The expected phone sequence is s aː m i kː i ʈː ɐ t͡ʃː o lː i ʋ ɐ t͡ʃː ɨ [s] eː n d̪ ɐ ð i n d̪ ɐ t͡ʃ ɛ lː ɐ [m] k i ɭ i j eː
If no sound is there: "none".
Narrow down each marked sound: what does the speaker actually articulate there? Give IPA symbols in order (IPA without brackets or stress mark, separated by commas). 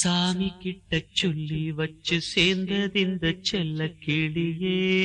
s, none